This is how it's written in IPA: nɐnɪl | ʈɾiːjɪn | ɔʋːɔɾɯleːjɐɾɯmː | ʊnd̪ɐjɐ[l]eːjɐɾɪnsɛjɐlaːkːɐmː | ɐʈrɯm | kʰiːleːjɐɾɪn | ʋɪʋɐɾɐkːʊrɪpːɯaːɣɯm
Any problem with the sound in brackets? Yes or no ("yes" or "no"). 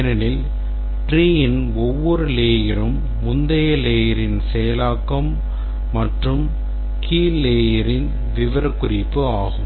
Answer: no